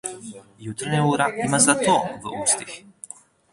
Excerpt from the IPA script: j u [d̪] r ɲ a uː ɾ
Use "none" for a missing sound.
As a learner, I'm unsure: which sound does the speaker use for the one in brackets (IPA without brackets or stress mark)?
t̪